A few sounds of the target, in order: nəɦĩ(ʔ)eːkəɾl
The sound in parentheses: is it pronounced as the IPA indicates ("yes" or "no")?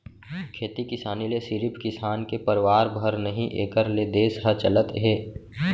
yes